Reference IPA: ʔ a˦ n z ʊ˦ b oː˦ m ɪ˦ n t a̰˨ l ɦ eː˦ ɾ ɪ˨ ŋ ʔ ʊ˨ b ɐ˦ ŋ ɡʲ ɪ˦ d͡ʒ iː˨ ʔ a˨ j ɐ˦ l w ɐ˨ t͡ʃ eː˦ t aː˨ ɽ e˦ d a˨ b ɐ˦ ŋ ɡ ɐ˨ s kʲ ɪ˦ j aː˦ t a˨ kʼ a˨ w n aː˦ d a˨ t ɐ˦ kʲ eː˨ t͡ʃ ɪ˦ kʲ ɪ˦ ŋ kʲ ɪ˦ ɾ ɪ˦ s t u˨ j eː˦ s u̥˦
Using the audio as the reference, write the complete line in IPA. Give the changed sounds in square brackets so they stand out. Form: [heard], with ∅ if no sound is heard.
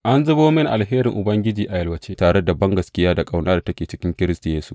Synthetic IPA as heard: ʔ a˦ n z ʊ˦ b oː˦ m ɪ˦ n [ʔ] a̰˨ l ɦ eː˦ ɾ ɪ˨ ŋ ʔ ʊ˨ b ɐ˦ ŋ ɡʲ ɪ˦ d͡ʒ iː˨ ʔ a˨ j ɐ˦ l w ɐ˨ t͡ʃ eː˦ t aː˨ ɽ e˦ d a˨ b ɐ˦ ŋ ɡ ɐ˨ s kʲ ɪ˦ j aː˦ [d] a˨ kʼ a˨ w n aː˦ d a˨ t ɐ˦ kʲ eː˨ t͡ʃ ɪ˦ kʲ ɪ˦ ŋ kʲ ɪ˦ ɾ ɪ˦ s t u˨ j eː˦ s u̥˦